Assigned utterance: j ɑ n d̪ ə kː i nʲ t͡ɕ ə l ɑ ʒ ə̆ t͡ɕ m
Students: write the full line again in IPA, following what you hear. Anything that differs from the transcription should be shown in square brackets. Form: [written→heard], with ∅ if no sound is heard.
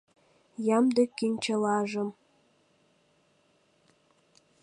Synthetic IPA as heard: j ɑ [n→m] d̪ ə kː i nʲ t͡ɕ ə l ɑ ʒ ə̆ [t͡ɕ→∅] m